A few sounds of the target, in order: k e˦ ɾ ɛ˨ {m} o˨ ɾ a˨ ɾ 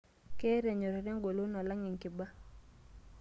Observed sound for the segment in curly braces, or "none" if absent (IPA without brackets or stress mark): ɲ